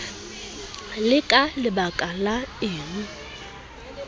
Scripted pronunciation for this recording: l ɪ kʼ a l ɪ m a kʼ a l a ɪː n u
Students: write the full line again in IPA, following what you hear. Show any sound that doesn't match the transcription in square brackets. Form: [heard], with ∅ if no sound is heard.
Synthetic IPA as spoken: l ɪ kʼ a l ɪ [b] a kʼ a l a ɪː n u